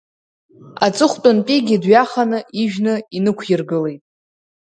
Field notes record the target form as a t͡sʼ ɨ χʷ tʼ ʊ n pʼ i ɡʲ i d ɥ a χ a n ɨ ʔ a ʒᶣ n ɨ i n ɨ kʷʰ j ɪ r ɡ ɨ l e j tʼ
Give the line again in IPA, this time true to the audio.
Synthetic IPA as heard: a t͡sʼ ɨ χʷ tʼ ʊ n pʼ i ɡʲ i d ɥ a χ a n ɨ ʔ i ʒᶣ n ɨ i n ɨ kʷʰ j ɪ r ɡ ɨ l e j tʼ